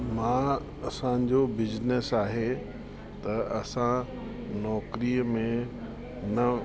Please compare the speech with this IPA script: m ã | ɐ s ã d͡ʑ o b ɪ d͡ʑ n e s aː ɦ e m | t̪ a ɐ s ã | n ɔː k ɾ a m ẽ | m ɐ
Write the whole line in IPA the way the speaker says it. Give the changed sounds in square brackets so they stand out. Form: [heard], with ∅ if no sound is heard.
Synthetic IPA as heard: m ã | ɐ s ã d͡ʑ o b ɪ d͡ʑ n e s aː ɦ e [∅] | t̪ [ɐ] ɐ s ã | n ɔː k ɾ [i] m ẽ | [n] ɐ